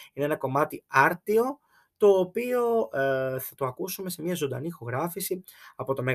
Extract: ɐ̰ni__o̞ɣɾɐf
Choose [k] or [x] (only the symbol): x